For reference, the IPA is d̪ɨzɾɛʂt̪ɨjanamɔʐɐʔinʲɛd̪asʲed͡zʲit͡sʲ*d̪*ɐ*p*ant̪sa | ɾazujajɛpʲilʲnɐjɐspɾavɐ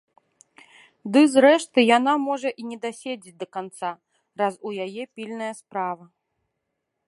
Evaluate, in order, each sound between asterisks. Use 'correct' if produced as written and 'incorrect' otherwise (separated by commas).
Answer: correct, incorrect